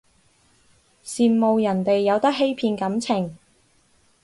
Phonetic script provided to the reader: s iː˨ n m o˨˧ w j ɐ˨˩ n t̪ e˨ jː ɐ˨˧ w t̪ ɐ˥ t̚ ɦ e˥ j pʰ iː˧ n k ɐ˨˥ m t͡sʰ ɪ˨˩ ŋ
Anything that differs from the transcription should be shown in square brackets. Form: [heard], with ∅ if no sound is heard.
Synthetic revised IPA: s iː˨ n m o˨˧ w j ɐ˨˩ n t̪ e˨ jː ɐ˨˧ w t̪ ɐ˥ [k̚] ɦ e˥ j pʰ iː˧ n k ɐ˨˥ m t͡sʰ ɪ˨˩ ŋ